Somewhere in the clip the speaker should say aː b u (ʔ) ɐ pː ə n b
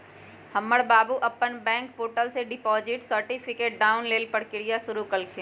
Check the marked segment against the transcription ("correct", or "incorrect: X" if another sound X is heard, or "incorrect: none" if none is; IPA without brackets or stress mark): correct